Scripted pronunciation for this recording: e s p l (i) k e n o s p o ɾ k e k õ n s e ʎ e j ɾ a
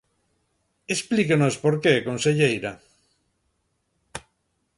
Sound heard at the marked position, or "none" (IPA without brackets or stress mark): i